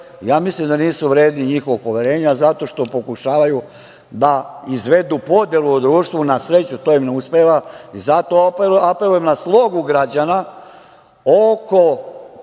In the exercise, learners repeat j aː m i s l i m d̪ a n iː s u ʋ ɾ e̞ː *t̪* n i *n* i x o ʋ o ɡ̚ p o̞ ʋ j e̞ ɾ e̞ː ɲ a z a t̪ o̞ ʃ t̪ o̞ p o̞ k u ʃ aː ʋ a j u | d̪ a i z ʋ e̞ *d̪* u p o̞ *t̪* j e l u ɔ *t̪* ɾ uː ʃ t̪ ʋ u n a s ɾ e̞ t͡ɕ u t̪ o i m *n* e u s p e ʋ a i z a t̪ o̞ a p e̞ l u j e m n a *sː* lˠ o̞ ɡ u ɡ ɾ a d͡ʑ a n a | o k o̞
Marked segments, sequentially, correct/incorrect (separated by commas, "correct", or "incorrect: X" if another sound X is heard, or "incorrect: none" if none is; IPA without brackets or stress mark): incorrect: d̪, incorrect: ɲ, correct, incorrect: d̪, incorrect: d̪, correct, incorrect: s